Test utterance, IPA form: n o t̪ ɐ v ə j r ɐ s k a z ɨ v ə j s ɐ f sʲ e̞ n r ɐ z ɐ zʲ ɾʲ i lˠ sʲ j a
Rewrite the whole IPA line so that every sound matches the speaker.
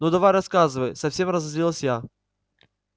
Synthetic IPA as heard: n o d̪ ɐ v a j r ɐ s k a z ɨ v ə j s ɐ f sʲ e̞ m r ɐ z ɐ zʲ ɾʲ i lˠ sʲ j a